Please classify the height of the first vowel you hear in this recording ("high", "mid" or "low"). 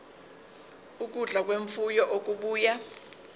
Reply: high